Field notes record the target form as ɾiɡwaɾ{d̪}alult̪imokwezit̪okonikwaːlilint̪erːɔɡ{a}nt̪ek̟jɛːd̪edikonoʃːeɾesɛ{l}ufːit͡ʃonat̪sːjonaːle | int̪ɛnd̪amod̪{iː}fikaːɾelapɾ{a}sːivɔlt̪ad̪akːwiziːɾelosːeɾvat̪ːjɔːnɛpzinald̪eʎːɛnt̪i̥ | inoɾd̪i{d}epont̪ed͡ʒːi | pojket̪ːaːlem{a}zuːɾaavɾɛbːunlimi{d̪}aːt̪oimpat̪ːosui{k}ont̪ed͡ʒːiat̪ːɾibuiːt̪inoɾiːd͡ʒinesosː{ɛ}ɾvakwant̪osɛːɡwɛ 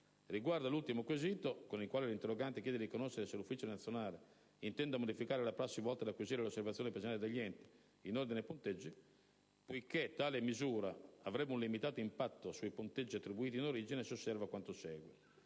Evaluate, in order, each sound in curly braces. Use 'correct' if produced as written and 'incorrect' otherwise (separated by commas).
correct, correct, correct, incorrect, correct, incorrect, incorrect, incorrect, incorrect, correct